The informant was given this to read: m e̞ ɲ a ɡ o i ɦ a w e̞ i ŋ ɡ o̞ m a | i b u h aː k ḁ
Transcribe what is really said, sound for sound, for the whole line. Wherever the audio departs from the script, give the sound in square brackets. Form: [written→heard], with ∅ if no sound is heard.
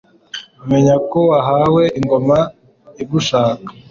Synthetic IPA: m e̞ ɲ a [ɡ→k] o [i→a] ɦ a w e̞ i ŋ ɡ o̞ m a | i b u [h→ʃ] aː k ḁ